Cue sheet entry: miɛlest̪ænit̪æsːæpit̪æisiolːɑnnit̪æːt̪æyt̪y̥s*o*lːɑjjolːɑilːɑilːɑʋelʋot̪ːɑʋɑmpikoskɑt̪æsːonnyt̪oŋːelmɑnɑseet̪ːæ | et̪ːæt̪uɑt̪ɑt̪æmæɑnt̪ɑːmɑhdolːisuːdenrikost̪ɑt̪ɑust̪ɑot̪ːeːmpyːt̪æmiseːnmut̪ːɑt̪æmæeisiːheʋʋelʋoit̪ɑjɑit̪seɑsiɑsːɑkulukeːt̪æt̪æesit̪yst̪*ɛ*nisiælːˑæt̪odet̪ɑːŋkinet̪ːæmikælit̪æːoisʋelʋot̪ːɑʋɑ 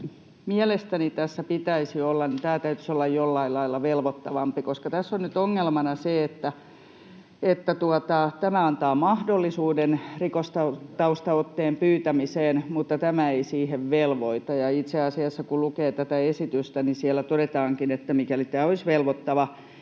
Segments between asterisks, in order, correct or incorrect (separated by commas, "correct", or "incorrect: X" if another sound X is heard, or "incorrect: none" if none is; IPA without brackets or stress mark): correct, incorrect: æ